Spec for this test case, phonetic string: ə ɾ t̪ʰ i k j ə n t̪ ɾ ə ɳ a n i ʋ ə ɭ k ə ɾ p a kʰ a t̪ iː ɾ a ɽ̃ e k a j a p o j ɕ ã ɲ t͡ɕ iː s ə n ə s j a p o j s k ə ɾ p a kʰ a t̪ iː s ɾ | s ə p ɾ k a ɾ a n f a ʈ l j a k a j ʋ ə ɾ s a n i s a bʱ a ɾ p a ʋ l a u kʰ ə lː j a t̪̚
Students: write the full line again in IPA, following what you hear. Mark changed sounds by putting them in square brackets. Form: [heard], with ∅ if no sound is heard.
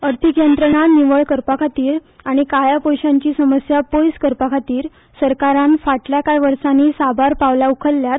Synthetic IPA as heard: ə ɾ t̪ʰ i k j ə n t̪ ɾ ə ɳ a n i ʋ ə ɭ k ə ɾ p a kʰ a t̪ iː ɾ a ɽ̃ [i] k a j a p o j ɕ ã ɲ t͡ɕ iː s ə [m] ə s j a p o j s k ə ɾ p a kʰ a t̪ iː [∅] ɾ | s ə [∅] ɾ k a ɾ a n f a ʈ l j a k a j ʋ ə ɾ s a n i s a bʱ a ɾ p a ʋ l a u kʰ ə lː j a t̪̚

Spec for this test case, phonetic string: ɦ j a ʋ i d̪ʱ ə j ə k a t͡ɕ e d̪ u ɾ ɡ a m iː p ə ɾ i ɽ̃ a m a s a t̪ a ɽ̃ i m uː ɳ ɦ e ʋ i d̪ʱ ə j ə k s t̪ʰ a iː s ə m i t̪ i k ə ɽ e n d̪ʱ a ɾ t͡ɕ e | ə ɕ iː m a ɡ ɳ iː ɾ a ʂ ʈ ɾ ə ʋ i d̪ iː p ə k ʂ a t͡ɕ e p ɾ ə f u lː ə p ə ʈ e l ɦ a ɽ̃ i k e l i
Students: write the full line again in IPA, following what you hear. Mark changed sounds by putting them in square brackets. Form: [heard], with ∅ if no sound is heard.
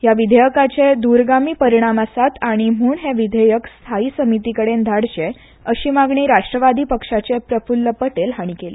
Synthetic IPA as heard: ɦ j a ʋ i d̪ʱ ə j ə k a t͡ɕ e d̪ u ɾ ɡ a m iː p ə ɾ i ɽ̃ a m a s a t̪ a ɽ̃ i m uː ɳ ɦ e ʋ i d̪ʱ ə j ə k s t̪ʰ a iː s ə m i t̪ i k ə ɽ e n d̪ʱ a [ɽ] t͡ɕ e | ə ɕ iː m a ɡ ɳ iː ɾ a ʂ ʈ ɾ ə ʋ [a] d̪ iː p ə k ʂ a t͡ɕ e p ɾ ə f u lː ə p ə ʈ e l ɦ a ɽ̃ i k e l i

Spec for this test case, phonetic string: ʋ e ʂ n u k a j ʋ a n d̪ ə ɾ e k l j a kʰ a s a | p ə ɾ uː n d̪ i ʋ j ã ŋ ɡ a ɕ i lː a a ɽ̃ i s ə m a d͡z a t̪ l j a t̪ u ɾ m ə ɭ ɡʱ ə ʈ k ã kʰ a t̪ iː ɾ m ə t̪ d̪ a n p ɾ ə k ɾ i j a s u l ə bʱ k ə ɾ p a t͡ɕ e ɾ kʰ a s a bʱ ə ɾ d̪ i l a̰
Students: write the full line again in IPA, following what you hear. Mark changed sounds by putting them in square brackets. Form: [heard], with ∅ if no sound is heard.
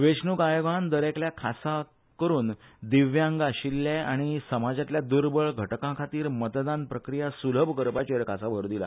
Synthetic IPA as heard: ʋ e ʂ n u k a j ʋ a n d̪ ə ɾ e k l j a kʰ a s a | [k] ə ɾ uː n d̪ i ʋ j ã ŋ ɡ a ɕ i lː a a ɽ̃ i s ə m a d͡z a t̪ l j a [d̪] u ɾ [b] ə ɭ ɡʱ ə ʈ k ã kʰ a t̪ iː ɾ m ə t̪ d̪ a n p ɾ ə k ɾ i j a s u l ə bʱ k ə ɾ p a t͡ɕ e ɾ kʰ a s a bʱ ə ɾ d̪ i l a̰

